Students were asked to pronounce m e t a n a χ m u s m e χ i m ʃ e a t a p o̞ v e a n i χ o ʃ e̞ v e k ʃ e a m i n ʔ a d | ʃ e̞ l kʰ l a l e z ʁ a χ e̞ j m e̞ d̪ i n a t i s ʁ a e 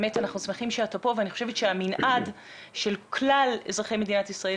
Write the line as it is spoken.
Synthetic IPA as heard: m e t a n a χ n u s m e χ i m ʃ e a t a p o̞ v e a n i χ o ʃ e̞ v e t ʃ e a m i n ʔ a d | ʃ e̞ l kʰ l a l e z ʁ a χ e̞ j m e̞ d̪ i n a t i s ʁ a e